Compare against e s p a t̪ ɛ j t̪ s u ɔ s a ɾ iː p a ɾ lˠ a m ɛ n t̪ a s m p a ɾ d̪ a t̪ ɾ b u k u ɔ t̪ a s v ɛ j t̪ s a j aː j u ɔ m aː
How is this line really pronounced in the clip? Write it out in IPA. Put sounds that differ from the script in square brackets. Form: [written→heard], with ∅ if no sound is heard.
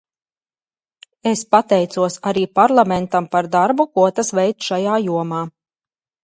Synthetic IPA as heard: e s p a t̪ ɛ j t̪ s u ɔ s a ɾ iː p a ɾ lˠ a m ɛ n t̪ a [s→∅] m p a ɾ d̪ a [t̪→∅] ɾ b u k u ɔ t̪ a s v ɛ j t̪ [s→ʃ] a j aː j u ɔ m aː